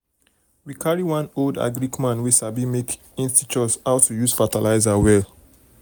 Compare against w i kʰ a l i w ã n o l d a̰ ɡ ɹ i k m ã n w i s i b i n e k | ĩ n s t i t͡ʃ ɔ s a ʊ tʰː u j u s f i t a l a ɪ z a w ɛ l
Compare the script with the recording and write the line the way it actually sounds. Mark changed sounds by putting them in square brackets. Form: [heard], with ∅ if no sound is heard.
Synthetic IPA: w i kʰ a [ɹ] i w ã n o l d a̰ ɡ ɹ i k m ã n w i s [a] b i [m] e k | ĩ n s t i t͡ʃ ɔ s a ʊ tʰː u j u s f [a] t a l a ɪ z a w ɛ l